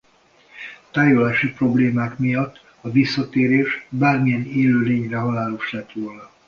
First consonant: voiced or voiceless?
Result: voiceless